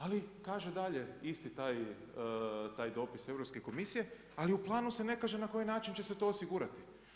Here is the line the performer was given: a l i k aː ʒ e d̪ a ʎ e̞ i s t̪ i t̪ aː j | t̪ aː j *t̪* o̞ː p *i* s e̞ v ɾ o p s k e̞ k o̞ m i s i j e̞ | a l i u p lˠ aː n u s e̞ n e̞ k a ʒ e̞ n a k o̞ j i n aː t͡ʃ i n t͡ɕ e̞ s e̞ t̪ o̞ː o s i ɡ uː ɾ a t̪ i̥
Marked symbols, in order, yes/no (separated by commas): no, yes